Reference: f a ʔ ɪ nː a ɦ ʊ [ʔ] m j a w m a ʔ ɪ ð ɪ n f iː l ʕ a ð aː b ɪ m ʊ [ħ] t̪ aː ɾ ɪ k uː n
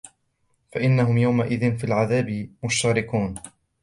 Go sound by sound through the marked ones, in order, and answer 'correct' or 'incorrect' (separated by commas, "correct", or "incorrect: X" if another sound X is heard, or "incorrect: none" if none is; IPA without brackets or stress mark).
incorrect: none, incorrect: ʃ